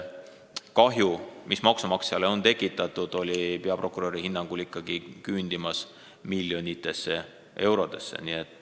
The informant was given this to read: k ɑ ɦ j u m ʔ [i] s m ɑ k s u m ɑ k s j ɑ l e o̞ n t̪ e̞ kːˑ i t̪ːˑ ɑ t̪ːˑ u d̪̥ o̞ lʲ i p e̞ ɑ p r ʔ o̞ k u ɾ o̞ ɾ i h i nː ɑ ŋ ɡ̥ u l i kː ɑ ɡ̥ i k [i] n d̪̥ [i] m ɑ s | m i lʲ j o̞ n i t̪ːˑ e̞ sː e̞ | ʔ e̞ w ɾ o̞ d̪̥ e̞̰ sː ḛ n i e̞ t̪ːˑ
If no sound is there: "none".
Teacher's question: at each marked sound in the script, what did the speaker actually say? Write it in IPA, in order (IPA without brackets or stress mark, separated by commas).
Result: i, y, i